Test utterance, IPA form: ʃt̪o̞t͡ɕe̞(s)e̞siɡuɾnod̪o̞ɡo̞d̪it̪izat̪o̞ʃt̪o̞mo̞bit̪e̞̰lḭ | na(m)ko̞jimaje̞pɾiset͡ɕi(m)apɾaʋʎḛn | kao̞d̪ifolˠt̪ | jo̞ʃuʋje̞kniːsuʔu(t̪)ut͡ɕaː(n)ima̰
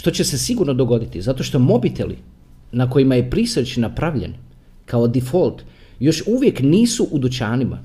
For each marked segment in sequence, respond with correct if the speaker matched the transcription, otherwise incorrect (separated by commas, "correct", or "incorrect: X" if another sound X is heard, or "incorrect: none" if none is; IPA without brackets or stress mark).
correct, incorrect: none, incorrect: n, incorrect: d̪, correct